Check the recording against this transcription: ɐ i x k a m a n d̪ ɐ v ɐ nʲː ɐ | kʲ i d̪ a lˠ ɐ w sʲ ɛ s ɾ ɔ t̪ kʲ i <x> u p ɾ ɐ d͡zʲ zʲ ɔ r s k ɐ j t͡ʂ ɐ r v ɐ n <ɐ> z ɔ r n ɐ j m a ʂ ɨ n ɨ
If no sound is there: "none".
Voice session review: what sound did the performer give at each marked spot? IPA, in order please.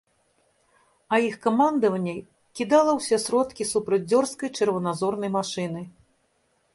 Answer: s, a

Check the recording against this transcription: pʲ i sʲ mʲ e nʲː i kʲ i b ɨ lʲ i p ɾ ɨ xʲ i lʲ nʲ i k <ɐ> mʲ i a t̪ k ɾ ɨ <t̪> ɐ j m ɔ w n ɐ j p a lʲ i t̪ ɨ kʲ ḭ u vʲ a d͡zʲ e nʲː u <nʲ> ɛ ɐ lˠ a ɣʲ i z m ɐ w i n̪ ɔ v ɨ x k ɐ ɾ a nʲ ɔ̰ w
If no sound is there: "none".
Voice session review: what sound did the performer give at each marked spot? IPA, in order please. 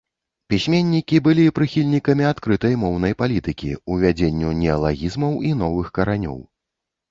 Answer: ɐ, t̪, nʲ

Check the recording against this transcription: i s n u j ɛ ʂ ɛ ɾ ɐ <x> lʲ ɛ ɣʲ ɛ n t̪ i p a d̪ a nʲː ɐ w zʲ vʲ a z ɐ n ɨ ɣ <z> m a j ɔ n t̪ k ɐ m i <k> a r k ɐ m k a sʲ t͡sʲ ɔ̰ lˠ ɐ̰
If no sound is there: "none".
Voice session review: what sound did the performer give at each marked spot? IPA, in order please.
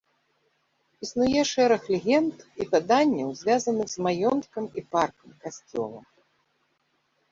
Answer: x, z, p

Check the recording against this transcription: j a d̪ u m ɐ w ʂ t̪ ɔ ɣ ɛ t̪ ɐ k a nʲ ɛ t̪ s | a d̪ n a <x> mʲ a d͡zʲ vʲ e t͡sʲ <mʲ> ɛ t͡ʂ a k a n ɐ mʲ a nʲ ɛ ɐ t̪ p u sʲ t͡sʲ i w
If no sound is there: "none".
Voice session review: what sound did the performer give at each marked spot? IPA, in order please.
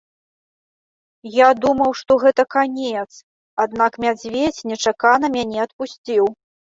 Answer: k, nʲ

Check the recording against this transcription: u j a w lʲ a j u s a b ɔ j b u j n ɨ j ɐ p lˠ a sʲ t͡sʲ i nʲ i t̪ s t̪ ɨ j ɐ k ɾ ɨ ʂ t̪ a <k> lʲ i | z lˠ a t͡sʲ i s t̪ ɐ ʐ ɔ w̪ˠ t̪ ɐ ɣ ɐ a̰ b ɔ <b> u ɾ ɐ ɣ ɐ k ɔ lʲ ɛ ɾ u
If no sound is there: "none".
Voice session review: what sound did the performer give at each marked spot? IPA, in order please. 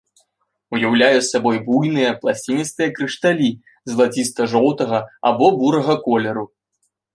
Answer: none, b

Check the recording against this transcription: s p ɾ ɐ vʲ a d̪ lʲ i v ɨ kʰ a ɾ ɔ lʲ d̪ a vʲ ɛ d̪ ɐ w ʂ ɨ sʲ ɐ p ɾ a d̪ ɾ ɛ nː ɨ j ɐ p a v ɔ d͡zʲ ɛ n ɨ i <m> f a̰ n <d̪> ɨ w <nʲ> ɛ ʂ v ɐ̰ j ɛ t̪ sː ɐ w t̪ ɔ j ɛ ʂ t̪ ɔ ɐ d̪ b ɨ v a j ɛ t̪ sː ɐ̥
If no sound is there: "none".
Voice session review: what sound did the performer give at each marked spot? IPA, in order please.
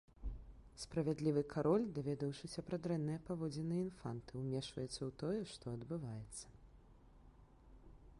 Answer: n, t̪, mʲ

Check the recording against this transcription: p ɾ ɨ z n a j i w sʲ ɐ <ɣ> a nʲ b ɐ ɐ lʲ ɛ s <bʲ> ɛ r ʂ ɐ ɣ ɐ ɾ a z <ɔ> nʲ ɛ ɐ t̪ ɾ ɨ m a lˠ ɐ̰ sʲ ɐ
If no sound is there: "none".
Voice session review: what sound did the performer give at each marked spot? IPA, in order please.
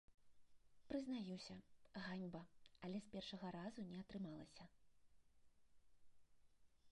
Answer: ɣ, pʲ, u

